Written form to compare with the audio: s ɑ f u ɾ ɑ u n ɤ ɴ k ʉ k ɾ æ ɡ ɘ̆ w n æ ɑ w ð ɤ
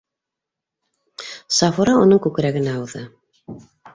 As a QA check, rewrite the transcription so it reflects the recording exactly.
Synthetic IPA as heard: s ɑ f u ɾ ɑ u n ɤ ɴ k ʉ k ɾ æ ɡ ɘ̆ n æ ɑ w ð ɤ